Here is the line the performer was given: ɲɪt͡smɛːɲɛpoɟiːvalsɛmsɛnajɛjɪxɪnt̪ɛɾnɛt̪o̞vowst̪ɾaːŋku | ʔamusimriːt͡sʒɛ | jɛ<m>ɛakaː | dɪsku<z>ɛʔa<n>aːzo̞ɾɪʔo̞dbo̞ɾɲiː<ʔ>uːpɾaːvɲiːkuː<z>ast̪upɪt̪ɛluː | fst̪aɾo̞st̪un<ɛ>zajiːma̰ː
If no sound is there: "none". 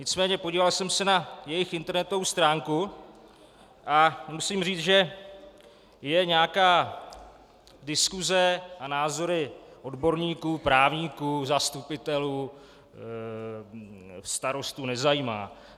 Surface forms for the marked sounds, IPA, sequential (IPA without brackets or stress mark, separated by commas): ɲ, z, n, k, z, ɛ